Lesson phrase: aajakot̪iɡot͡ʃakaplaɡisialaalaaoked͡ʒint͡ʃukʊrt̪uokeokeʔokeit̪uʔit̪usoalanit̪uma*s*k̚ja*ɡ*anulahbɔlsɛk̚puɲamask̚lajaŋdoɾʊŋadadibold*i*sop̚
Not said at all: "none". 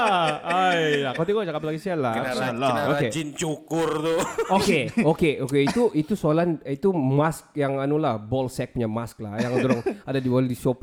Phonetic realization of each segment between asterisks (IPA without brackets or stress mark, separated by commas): s, ŋ, i